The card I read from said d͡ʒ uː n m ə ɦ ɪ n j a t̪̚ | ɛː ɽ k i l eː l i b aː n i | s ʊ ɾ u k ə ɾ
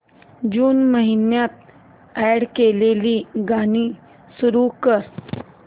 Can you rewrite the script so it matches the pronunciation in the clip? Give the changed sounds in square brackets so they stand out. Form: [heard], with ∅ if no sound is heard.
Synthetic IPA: d͡ʒ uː n m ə ɦ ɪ n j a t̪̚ | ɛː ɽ k [e] l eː l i [ɡ] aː n i | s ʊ ɾ u k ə ɾ